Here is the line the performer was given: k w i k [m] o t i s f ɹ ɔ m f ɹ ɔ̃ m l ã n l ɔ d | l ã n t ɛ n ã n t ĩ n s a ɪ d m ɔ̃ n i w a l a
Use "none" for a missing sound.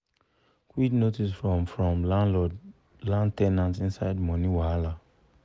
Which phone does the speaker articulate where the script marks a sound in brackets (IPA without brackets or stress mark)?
n